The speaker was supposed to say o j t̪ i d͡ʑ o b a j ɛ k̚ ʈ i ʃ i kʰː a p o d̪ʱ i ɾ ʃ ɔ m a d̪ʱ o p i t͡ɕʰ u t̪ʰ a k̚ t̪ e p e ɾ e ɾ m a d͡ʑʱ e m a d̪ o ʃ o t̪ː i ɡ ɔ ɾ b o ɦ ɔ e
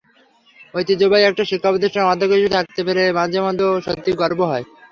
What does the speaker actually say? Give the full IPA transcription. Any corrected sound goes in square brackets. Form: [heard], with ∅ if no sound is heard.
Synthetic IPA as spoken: o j t̪ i d͡ʑ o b a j ɛ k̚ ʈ [a] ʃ i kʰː a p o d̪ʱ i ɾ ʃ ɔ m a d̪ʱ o [k] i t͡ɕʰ u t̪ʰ a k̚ t̪ e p e ɾ e [∅] m a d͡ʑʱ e m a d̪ o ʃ o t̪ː i ɡ ɔ ɾ b o ɦ ɔ e